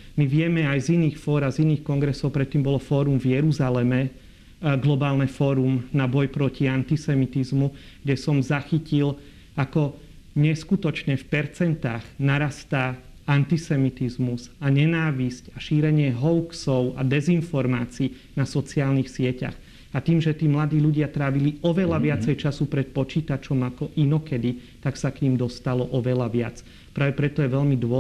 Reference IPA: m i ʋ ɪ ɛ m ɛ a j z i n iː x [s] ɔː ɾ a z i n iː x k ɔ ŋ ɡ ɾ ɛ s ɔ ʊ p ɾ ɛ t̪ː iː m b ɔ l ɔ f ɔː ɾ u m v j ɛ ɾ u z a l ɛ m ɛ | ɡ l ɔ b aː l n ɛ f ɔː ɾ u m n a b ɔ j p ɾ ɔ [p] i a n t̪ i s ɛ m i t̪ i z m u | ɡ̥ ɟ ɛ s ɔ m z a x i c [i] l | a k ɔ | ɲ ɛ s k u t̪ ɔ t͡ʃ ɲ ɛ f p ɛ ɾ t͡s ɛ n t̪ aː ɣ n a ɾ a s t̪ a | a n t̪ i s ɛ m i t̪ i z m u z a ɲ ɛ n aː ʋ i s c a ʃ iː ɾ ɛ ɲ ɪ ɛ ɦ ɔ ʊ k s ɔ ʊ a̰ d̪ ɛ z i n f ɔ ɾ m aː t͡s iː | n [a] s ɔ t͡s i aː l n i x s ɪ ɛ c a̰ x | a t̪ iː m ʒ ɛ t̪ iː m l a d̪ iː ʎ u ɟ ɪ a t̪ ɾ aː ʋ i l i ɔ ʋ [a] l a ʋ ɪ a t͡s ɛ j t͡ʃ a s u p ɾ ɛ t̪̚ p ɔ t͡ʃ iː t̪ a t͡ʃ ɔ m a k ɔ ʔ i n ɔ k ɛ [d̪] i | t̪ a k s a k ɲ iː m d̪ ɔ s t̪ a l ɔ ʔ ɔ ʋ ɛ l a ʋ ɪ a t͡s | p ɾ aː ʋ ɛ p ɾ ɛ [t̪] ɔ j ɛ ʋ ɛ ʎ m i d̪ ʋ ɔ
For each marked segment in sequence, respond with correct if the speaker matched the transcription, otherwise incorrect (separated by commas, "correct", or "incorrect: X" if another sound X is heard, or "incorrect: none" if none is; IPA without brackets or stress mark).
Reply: incorrect: f, incorrect: c, correct, correct, incorrect: ɛ, correct, correct